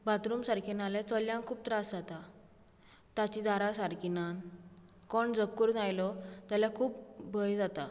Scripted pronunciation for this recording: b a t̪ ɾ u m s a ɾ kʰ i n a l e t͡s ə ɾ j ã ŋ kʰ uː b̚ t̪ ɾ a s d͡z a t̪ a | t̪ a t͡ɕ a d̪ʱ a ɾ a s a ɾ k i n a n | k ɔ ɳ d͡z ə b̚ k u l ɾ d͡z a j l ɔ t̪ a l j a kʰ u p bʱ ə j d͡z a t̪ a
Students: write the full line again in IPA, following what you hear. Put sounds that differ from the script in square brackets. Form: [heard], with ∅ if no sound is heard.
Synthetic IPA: b a t̪ ɾ u m s a ɾ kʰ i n a l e t͡s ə [l] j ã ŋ kʰ uː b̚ t̪ ɾ a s d͡z a t̪ a | t̪ a t͡ɕ [i] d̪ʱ a ɾ a s a ɾ k i n a n | k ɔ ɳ d͡z ə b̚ k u [∅] ɾ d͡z a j l ɔ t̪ a l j a kʰ [uː] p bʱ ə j d͡z a t̪ a